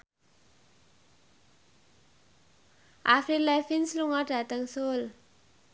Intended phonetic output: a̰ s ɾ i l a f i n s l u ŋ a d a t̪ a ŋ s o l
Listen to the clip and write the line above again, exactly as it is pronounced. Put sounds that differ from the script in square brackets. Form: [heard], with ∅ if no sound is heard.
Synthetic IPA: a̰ [f] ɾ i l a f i n s l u ŋ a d a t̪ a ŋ s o l